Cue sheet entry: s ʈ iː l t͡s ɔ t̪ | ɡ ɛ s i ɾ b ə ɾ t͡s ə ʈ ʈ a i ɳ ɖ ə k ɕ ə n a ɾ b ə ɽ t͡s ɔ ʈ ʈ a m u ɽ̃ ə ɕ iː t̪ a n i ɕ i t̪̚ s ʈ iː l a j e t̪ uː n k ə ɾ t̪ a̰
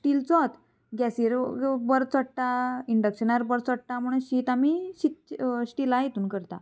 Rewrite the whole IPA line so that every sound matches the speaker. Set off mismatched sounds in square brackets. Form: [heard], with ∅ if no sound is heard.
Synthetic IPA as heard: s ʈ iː l t͡s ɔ t̪ | ɡ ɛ s i ɾ b ə ɾ t͡s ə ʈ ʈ a i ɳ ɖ ə k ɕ ə n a ɾ b ə [ɾ] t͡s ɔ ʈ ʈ a m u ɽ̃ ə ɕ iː t̪ a [m] i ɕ i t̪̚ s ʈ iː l a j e t̪ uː n k ə ɾ t̪ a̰

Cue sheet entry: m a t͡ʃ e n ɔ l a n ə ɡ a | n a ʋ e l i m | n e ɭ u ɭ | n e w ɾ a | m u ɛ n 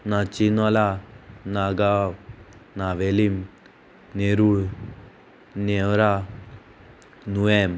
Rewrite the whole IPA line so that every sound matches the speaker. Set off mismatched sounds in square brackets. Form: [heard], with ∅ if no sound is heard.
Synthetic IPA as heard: [n] a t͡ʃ [i] n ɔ l a n [a] ɡ a | n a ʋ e l i m | n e [ɾ] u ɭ | n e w ɾ a | [n] u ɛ [m]

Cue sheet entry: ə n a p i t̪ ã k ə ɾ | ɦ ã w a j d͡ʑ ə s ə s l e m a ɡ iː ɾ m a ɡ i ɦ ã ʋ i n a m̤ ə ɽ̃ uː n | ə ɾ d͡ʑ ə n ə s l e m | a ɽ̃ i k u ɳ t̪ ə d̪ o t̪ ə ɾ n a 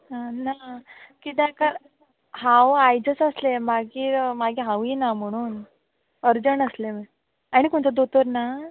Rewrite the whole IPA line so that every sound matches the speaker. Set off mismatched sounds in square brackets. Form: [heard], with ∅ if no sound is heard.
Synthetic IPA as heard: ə n a [k] i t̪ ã k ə ɾ | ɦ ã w a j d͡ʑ ə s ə s l e m a ɡ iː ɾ m a ɡ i ɦ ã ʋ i n a m̤ ə ɽ̃ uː n | ə ɾ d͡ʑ ə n ə s l e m | a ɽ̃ i k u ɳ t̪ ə d̪ o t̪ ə ɾ n a

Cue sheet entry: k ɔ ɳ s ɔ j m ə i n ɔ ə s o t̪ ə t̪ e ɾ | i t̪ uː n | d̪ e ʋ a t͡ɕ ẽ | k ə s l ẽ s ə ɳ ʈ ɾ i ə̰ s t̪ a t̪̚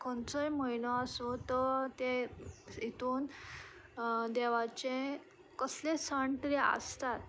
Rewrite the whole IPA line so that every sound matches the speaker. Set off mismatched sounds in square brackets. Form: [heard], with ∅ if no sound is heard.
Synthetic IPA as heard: k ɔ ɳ [t͡s] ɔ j m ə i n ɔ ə s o t̪ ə t̪ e [∅] | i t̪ uː n | d̪ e ʋ a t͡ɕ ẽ | k ə s l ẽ s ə ɳ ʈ ɾ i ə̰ s t̪ a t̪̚

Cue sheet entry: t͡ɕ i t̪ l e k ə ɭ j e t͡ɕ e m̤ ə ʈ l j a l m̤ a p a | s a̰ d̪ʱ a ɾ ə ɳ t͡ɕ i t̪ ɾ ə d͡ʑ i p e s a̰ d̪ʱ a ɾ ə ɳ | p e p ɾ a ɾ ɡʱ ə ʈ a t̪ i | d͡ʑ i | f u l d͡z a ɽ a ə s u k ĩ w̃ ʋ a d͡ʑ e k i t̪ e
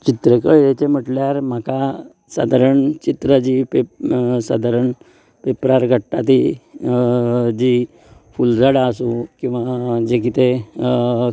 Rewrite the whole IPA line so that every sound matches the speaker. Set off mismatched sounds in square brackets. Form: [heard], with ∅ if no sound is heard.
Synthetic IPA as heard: t͡ɕ i t̪ [ɾ] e k ə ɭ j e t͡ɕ e m̤ ə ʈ l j a [ɾ] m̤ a [k] a | s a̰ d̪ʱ a ɾ ə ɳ t͡ɕ i t̪ ɾ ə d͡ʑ i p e s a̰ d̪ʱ a ɾ ə ɳ | p e p ɾ a ɾ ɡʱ ə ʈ a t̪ i | d͡ʑ i | f u l d͡z a ɽ a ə s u k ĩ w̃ ʋ a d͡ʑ e k i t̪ e

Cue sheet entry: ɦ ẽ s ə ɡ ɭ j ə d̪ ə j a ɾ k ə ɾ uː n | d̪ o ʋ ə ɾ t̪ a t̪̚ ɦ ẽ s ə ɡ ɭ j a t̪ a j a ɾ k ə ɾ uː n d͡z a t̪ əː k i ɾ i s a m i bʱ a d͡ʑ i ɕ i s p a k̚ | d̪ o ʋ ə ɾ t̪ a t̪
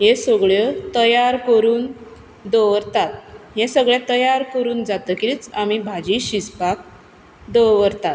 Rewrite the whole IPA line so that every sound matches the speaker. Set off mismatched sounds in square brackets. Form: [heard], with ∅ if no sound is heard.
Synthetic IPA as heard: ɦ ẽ s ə ɡ ɭ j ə [t̪] ə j a ɾ k ə ɾ uː n | d̪ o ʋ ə ɾ t̪ a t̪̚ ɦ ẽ s ə ɡ ɭ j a t̪ [ə] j a ɾ k ə ɾ uː n d͡z a t̪ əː k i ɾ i [t͡s] a m i bʱ a d͡ʑ i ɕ i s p a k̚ | d̪ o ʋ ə ɾ t̪ a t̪

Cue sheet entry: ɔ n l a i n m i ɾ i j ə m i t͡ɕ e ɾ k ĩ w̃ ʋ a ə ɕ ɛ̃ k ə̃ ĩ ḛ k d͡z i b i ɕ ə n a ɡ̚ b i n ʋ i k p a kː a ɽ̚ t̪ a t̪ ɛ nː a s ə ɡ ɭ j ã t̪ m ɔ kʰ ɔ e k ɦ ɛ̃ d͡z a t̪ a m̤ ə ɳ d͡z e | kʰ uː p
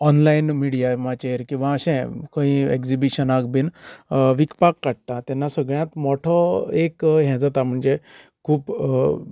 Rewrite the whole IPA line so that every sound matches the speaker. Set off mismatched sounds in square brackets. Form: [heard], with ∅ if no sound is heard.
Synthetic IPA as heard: ɔ n l a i n m i [ɽ] i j [a] m [a] t͡ɕ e ɾ k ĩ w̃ ʋ a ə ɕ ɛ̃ k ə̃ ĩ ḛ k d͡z i b i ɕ ə n a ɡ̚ b i n ʋ i k p a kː a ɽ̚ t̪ a t̪ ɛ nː a s ə ɡ ɭ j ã t̪ m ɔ [ʈʰ] ɔ e k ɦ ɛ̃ d͡z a t̪ a m̤ ə ɳ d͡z e | kʰ uː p

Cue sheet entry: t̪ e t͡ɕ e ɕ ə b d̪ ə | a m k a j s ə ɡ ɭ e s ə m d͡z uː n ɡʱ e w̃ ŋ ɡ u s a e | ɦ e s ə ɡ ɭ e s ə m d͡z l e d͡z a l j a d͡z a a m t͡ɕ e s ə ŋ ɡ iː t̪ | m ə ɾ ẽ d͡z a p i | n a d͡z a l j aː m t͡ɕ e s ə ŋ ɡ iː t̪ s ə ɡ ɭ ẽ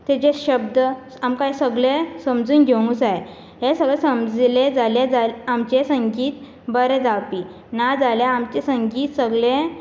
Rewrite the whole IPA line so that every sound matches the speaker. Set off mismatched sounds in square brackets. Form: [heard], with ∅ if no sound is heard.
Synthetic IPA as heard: t̪ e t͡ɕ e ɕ ə b d̪ ə | a m k a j s ə ɡ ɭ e s ə m d͡z uː n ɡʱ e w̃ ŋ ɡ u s a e | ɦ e s ə ɡ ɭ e s ə m d͡z l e d͡z a l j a d͡z a a m t͡ɕ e s ə ŋ ɡ iː t̪ | [b] ə ɾ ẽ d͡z a p i | n a d͡z a l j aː m t͡ɕ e s ə ŋ ɡ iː t̪ s ə ɡ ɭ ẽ

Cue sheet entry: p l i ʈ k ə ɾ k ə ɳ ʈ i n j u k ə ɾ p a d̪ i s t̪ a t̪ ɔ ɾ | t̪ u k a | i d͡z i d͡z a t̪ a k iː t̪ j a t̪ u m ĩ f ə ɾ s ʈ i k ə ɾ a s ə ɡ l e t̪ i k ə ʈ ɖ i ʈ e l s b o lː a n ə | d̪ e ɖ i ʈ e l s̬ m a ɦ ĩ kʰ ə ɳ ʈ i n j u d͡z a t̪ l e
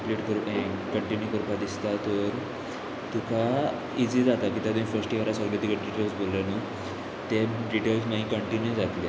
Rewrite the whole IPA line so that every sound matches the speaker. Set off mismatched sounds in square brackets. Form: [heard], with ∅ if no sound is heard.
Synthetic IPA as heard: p l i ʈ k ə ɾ k ə ɳ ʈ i n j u k ə ɾ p a d̪ i s t̪ a t̪ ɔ ɾ | t̪ u k a | i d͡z i d͡z a t̪ a k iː t̪ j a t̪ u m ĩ f ə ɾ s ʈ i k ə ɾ a s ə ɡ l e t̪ i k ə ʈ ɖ i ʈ e l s b o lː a n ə | [t̪] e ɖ i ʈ e l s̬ m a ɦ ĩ [k] ə ɳ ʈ i n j u d͡z a t̪ l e

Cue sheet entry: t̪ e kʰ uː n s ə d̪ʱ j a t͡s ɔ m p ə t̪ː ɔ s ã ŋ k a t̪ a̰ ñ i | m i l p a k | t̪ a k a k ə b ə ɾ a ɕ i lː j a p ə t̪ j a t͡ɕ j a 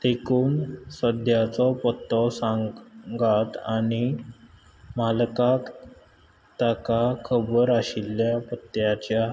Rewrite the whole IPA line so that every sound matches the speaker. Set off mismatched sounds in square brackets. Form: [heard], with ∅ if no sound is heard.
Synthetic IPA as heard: t̪ e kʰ uː n s ə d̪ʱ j a t͡s ɔ [∅] p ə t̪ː ɔ s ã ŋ [ɡ] a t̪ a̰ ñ i | m [a] l [k] a k | t̪ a k a [kʰ] ə b ə ɾ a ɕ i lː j a p ə t̪ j a t͡ɕ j a

